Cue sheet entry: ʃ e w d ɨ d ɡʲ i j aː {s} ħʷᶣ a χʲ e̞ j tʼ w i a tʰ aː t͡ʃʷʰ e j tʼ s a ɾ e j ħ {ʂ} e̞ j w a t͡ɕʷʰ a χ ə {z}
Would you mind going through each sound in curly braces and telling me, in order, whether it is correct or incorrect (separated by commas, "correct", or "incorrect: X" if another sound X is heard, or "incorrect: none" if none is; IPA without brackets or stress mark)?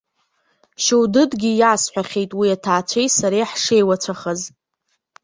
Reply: correct, correct, correct